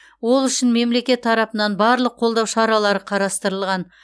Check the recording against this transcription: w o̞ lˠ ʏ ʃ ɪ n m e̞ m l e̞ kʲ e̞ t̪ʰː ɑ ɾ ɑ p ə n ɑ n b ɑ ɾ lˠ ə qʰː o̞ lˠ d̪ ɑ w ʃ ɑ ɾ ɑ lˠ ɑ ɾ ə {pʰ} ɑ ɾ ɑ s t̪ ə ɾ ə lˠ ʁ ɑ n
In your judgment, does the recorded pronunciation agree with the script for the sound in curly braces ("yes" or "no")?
no